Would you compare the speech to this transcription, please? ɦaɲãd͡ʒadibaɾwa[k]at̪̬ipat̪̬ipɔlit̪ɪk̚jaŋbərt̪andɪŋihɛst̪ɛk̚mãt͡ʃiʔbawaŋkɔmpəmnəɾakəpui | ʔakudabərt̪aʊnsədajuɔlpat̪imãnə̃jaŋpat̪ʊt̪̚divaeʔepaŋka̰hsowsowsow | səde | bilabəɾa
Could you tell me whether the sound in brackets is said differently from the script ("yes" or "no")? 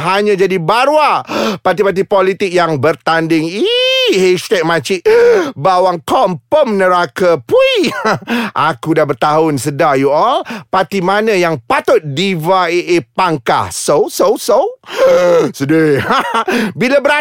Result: yes